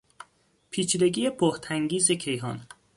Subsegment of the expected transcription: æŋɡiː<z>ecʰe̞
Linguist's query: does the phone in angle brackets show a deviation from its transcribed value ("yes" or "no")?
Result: no